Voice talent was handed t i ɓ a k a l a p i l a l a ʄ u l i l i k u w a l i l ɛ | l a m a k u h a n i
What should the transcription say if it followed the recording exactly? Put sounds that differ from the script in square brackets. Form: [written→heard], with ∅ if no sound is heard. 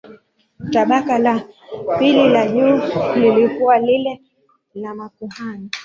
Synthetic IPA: t [i→a] ɓ a k a l a p i l [a→i] l a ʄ u l i l i k u w a l i l ɛ | l a m a k u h a n i